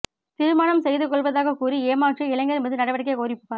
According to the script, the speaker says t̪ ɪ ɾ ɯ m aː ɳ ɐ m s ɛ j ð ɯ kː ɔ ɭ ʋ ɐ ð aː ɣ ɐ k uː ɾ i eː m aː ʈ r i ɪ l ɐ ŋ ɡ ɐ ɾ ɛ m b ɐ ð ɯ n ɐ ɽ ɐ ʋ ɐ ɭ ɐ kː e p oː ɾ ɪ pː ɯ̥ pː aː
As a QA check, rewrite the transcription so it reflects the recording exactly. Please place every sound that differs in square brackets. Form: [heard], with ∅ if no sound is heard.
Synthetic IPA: t̪ ɪ ɾ ɯ m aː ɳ ɐ m s ɛ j ð ɯ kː ɔ ɭ ʋ ɐ ð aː ɣ ɐ k uː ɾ i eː m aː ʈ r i ɪ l ɐ ŋ ɡ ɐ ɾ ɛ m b ɐ ð ɯ n ɐ ɽ ɐ ʋ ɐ [ɽ] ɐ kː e [k] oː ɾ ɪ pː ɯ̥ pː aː